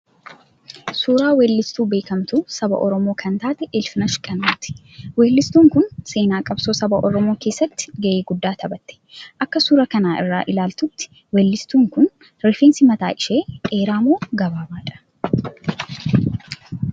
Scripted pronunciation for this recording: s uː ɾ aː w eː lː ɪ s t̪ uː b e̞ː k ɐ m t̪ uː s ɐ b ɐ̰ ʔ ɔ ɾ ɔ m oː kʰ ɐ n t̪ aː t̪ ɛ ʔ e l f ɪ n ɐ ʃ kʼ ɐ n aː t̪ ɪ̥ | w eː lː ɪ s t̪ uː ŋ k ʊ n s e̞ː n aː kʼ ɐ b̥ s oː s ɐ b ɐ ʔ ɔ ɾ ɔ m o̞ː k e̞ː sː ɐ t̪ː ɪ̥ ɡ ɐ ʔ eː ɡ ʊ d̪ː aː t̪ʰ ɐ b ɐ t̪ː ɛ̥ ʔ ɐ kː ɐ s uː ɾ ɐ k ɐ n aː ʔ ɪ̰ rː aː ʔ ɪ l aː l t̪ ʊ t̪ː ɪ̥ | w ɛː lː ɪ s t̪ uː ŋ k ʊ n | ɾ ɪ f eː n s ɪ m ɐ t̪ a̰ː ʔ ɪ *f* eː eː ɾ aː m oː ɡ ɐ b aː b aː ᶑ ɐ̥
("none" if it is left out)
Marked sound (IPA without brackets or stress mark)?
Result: ʃ